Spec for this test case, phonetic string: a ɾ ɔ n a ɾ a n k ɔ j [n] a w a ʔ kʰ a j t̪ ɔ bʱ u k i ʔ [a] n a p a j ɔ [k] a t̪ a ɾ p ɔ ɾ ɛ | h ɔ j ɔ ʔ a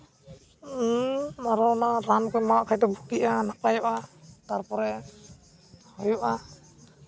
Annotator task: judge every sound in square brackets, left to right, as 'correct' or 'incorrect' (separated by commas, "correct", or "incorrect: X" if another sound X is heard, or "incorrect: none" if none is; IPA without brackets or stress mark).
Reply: incorrect: m, correct, incorrect: ʔ